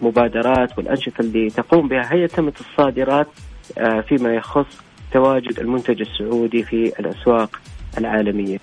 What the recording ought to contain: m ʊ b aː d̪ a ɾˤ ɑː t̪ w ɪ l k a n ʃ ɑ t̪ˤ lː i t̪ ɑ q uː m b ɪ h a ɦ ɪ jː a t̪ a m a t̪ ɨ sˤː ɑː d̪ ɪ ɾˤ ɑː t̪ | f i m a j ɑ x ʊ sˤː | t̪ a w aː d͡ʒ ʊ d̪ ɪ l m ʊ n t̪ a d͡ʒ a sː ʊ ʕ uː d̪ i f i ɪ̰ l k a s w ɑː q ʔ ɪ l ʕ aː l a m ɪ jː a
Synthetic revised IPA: m ʊ b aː d̪ ɑ ɾˤ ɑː t̪ w ɪ l ʔ a n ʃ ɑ t̪ˤ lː i t̪ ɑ q uː m b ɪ h a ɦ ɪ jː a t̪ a m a t̪ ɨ sˤː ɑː d̪ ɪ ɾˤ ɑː t̪ | f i m a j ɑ x ʊ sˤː | t̪ a w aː d͡ʒ ʊ d̪ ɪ l m ʊ n t̪ a d͡ʒ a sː ʊ ʕ uː d̪ i f i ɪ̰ l ʔ a s w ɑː q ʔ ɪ l ʕ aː l a m ɪ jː a